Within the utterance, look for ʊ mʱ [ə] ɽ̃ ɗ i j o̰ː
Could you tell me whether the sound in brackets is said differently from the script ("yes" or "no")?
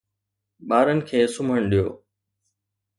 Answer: no